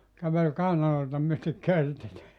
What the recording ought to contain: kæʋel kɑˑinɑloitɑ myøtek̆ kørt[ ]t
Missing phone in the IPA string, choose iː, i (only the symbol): i